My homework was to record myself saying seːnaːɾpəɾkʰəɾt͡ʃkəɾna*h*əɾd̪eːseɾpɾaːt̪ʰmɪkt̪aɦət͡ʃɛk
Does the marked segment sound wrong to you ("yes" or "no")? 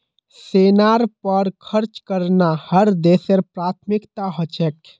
no